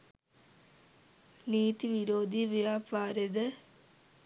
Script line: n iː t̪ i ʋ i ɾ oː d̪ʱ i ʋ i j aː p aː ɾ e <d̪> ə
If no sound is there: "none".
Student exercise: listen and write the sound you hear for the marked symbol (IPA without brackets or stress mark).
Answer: d̪